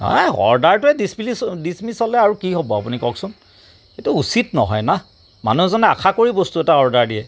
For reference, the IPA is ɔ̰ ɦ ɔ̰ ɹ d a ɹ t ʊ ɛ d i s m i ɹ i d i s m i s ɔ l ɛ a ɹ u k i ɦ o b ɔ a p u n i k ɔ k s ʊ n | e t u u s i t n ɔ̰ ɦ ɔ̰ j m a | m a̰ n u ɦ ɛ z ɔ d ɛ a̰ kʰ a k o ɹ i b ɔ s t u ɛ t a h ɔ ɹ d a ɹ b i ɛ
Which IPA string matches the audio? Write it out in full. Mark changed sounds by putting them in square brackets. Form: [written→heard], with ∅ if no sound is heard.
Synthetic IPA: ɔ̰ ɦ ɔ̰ ɹ d a ɹ t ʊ ɛ d i s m i [ɹ→l] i d i s m i s ɔ l ɛ a ɹ u k i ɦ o b ɔ a p u n i k ɔ k s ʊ n | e t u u s i t n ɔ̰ ɦ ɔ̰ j [m→n] a | m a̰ n u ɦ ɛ z ɔ [d→n] ɛ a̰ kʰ a k o ɹ i b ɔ s t u ɛ t a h ɔ ɹ d a ɹ [b→d] i ɛ